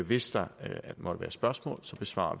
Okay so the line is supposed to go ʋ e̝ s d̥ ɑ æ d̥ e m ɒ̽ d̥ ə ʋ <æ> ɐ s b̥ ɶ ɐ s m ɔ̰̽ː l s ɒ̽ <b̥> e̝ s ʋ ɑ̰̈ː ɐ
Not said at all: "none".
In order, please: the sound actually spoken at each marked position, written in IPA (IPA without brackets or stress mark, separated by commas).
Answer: æː, b̥